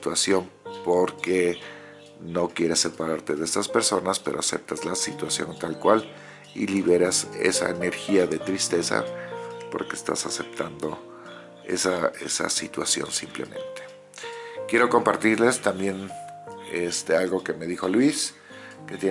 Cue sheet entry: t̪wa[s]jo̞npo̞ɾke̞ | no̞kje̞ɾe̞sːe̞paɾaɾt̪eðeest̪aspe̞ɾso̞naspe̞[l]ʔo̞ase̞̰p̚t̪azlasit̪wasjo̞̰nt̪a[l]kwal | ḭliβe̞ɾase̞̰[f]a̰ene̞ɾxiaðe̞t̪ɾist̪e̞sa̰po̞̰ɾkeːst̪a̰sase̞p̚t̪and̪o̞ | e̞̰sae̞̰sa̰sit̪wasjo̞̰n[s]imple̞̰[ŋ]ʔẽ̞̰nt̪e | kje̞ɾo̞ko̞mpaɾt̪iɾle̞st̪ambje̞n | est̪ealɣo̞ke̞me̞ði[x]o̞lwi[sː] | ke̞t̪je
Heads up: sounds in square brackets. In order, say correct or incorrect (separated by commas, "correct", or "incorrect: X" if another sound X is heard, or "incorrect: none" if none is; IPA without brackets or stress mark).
correct, incorrect: ɾ, correct, incorrect: s, correct, incorrect: m, correct, incorrect: s